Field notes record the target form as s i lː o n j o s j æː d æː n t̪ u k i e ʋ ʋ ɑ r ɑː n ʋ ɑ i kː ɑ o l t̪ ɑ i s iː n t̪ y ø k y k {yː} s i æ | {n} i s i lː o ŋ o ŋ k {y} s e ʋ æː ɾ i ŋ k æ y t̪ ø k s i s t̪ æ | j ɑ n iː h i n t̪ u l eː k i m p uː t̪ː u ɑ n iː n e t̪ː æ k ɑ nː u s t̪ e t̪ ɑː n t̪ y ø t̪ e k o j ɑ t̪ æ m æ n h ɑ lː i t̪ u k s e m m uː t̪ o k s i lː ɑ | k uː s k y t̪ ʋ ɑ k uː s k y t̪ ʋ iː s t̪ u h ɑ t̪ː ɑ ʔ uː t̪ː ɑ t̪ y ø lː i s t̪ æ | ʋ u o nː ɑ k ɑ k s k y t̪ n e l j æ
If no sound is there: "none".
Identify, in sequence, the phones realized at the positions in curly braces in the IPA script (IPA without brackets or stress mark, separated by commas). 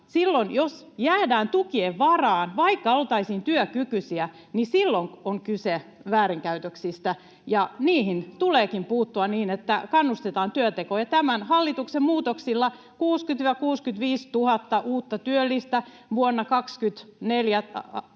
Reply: y, n, y